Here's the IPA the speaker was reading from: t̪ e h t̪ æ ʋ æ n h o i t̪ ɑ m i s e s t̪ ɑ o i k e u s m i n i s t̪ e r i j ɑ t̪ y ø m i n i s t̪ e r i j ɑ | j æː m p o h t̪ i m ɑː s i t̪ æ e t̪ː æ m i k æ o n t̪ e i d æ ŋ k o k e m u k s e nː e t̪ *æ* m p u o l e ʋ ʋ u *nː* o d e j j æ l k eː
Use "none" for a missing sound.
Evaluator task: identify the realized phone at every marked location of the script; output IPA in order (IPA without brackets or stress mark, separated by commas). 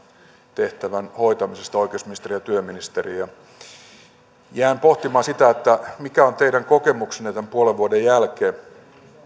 æ, none